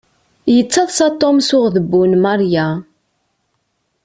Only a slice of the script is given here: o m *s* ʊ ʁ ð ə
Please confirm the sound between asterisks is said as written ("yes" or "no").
yes